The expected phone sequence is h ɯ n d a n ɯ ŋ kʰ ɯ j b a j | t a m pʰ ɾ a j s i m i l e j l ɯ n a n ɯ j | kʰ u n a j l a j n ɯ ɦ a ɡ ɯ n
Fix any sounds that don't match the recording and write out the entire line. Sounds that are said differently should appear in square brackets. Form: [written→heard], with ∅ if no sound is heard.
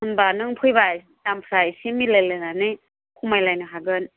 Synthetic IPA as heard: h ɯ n [d→b] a n ɯ ŋ [kʰ→pʰ] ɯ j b a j | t a m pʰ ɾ a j s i m i l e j l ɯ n a n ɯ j | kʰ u [n→m] a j l a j n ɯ ɦ a ɡ ɯ n